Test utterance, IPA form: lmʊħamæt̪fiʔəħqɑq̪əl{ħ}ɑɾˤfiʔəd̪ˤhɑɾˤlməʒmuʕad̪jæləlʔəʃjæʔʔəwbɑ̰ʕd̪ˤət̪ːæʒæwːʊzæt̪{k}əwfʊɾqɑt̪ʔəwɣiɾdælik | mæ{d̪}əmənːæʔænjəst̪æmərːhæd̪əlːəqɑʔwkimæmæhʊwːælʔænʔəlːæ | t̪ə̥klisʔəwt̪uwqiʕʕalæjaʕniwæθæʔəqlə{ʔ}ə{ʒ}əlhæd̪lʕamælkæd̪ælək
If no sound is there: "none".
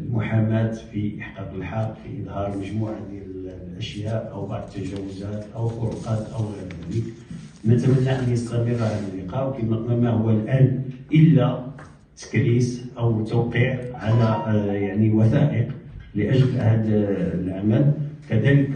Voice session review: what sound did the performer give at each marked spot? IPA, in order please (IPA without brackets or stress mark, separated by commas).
ħ, ʔ, t̪, ʔ, ʒ